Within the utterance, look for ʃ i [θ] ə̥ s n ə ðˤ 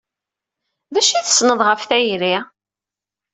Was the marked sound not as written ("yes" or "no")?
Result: no